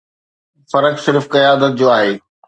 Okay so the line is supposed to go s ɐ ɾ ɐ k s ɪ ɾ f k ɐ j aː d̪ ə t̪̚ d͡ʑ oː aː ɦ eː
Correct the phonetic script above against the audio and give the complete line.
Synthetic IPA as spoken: f ɐ ɾ ə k s ɪ ɾ f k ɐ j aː d̪ ə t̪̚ d͡ʑ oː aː ɦ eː